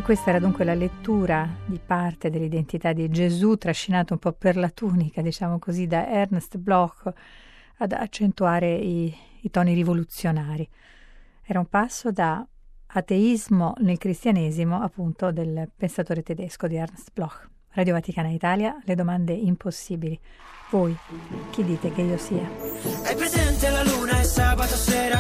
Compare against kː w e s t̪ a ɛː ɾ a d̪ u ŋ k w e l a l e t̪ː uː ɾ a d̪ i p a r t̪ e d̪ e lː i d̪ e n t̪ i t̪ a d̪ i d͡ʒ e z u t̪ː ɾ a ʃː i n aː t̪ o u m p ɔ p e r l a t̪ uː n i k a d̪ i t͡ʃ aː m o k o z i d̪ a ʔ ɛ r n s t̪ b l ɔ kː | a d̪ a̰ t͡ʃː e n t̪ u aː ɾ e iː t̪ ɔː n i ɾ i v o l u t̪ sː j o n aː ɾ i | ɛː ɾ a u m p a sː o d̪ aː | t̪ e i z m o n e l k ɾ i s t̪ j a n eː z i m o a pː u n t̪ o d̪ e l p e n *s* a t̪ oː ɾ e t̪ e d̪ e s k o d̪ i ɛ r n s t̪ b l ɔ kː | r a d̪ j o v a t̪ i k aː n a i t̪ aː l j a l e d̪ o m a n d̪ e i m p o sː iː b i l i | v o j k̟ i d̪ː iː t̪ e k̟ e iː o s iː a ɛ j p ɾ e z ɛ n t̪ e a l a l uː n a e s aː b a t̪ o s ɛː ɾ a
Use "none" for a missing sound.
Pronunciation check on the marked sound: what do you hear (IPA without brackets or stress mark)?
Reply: s